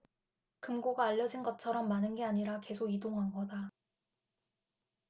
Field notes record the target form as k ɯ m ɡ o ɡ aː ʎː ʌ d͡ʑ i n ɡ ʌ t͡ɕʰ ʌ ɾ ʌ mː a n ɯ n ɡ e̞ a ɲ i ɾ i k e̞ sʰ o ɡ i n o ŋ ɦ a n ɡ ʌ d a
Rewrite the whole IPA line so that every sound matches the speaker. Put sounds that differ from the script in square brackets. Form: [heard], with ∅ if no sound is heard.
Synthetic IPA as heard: k ɯ m ɡ o ɡ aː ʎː ʌ d͡ʑ i n ɡ ʌ t͡ɕʰ ʌ ɾ ʌ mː a n ɯ n ɡ e̞ a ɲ i ɾ [a] k e̞ sʰ o ɡ i [d] o ŋ ɦ a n ɡ ʌ d a

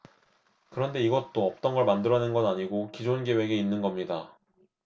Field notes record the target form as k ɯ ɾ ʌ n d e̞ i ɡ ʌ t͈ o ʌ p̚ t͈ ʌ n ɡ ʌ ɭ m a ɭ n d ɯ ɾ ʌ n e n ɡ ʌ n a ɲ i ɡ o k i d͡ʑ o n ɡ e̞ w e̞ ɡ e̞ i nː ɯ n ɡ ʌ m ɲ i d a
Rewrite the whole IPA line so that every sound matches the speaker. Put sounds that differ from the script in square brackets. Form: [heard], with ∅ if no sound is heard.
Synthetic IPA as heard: k ɯ ɾ ʌ n d e̞ i ɡ ʌ t͈ o ʌ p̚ t͈ ʌ n ɡ ʌ ɭ m a [∅] n d ɯ ɾ ʌ n e n ɡ ʌ n a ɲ i ɡ o k i d͡ʑ o n ɡ e̞ w e̞ ɡ e̞ i nː ɯ n ɡ ʌ m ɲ i d a

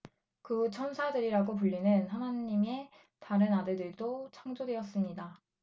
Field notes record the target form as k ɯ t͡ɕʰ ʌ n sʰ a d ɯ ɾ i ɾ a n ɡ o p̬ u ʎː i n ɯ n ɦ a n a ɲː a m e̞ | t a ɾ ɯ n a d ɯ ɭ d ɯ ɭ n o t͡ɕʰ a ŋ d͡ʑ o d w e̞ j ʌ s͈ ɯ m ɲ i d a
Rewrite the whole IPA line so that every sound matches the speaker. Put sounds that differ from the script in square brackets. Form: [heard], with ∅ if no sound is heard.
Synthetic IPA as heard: k ɯ t͡ɕʰ ʌ n sʰ a d ɯ ɾ i ɾ a [∅] ɡ o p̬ u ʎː i n ɯ n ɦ a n a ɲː [i] m e̞ | t a ɾ ɯ n a d ɯ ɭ d ɯ ɭ [d] o t͡ɕʰ a ŋ d͡ʑ o d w e̞ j ʌ s͈ ɯ m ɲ i d a

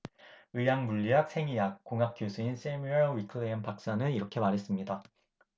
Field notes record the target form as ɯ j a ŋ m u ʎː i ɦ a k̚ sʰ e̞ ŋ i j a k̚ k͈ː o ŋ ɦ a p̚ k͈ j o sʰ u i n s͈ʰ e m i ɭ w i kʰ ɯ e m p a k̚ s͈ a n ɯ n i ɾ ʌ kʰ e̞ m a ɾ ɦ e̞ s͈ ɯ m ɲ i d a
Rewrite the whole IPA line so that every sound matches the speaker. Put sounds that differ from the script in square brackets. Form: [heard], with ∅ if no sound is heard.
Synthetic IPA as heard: ɯ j a ŋ m u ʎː i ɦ a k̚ sʰ e̞ ŋ i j a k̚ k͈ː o ŋ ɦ a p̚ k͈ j o sʰ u i n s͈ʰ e m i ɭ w i kʰ ɯ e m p a k̚ s͈ a n ɯ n i ɾ ʌ kʰ e̞ m a ɾ ɦ e̞ s͈ ɯ m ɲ i d a

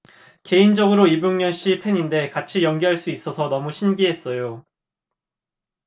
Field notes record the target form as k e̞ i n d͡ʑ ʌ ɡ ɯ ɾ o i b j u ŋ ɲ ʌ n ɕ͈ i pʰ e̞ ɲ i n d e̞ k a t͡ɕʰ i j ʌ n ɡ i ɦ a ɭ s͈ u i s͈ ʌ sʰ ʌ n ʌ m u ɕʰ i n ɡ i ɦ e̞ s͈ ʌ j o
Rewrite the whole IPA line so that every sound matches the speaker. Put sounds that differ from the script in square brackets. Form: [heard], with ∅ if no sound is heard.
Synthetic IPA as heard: k e̞ i n d͡ʑ ʌ ɡ ɯ ɾ o i b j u ŋ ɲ ʌ n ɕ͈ i pʰ e̞ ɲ i n d e̞ k a t͡ɕʰ i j ʌ [ŋ] ɡ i ɦ a ɭ s͈ u i s͈ ʌ sʰ ʌ n ʌ m u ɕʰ i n ɡ i ɦ e̞ s͈ ʌ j o

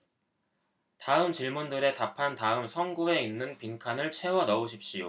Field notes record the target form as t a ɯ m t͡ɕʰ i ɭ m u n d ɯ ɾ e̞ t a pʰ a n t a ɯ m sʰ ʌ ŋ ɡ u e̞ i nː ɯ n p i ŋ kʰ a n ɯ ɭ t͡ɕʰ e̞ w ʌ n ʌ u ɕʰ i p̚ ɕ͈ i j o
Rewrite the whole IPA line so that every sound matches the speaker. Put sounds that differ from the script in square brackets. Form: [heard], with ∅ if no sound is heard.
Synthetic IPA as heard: t a ɯ m [t͡ɕ] i ɭ m u n d ɯ ɾ e̞ t a pʰ a n t a ɯ m sʰ ʌ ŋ ɡ u e̞ i nː ɯ n p i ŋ kʰ a n ɯ ɭ t͡ɕʰ e̞ w ʌ n ʌ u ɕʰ i p̚ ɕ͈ i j o

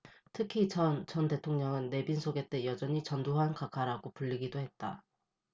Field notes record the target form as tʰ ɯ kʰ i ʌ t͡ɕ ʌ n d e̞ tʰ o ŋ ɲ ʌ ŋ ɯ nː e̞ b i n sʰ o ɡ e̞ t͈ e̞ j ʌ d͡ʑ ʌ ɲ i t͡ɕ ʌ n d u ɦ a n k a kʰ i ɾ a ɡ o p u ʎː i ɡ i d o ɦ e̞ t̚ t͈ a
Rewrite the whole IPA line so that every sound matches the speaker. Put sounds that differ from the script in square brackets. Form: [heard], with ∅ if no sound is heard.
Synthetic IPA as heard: tʰ ɯ kʰ i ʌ t͡ɕ ʌ n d e̞ tʰ o ŋ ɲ ʌ ŋ ɯ nː e̞ b i n sʰ o ɡ e̞ t͈ e̞ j ʌ d͡ʑ ʌ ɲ i t͡ɕ ʌ n d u ɦ a n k a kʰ [a] ɾ a ɡ o p u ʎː i ɡ i d o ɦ e̞ t̚ t͈ a

